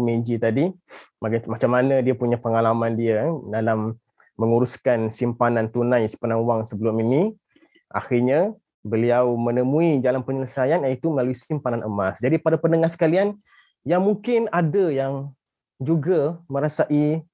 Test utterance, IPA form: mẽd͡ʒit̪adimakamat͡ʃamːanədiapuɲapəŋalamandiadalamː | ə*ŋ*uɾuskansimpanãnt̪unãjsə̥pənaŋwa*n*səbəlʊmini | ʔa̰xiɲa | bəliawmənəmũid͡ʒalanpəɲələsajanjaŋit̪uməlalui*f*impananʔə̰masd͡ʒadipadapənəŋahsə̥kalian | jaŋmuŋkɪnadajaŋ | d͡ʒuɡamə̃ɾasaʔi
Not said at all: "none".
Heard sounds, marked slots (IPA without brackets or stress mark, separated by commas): ŋ, ŋ, s